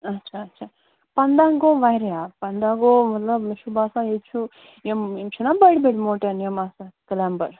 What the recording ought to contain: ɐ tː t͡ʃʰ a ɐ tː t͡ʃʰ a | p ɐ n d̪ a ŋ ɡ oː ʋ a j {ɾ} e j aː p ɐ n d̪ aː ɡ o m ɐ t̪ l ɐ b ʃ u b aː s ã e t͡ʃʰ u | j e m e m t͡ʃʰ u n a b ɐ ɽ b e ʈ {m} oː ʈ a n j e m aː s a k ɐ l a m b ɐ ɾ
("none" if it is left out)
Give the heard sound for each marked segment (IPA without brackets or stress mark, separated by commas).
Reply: ɾ, m